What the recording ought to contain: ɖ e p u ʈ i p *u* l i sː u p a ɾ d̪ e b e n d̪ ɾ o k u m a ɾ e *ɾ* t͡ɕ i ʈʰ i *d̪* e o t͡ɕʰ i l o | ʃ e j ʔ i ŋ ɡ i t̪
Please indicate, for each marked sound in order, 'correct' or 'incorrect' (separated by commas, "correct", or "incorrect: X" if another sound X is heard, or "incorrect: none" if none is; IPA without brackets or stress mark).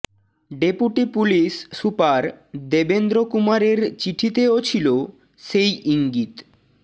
correct, correct, incorrect: t̪